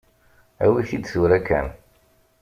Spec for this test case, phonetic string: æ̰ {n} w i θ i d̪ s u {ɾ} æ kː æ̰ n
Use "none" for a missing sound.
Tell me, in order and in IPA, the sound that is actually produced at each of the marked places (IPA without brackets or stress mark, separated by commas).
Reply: none, ɾ